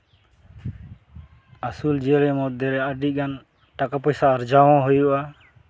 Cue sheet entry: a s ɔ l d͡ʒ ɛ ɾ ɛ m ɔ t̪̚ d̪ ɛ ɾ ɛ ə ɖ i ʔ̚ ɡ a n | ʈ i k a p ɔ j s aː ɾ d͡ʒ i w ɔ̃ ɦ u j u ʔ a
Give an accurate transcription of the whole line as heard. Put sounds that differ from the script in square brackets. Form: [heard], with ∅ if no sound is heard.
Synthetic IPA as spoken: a s [u] l d͡ʒ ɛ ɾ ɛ m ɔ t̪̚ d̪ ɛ ɾ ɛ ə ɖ i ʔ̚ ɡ a n | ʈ [a] k a p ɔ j s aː ɾ d͡ʒ [a] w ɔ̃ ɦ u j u ʔ a